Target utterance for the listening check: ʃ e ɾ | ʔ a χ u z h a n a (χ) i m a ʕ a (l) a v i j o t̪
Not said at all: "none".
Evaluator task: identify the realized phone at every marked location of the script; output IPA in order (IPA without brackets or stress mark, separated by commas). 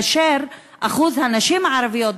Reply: ʃ, ɾ